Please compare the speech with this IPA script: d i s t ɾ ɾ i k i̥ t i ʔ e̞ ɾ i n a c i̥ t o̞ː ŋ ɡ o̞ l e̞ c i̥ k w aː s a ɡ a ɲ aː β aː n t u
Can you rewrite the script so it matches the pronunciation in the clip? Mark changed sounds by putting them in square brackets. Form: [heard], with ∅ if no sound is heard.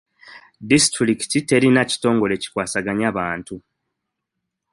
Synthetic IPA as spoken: d i s t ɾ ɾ i k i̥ t i [t] e̞ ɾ i n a c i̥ t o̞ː ŋ ɡ o̞ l e̞ c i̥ k w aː s a ɡ a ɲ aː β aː n t u